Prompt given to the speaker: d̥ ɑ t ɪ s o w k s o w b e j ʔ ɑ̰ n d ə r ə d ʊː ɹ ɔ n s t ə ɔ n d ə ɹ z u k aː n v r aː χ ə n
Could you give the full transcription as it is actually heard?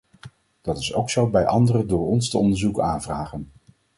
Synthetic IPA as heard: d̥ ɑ t ɪ s o w k s o w b ɛ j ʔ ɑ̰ n d ə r ə d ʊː ɹ ɔ n s t ə ɔ n d ə ɹ z u k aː n v r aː χ ə n